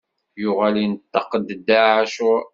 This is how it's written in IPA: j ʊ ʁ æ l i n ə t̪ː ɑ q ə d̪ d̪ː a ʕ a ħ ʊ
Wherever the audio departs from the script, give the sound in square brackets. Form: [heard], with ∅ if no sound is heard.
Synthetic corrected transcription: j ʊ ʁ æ l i n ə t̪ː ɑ q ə d̪ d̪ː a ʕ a [ʃ] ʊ

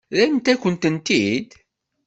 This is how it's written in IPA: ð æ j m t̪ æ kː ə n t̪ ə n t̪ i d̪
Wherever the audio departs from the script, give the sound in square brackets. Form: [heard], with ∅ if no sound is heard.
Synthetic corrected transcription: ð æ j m t̪ æ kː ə n t̪ ə n t̪ i d̪

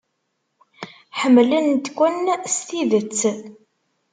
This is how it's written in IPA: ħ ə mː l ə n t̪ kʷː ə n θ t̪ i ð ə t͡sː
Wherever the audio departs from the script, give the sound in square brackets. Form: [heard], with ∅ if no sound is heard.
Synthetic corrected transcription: ħ ə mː l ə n t̪ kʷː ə n [s] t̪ i ð ə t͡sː

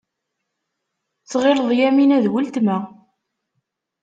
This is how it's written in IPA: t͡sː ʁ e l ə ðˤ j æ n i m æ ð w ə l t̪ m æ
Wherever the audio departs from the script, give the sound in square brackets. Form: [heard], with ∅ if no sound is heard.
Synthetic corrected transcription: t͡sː ʁ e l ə ðˤ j æ [m] i [n] æ ð w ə l t̪ m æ

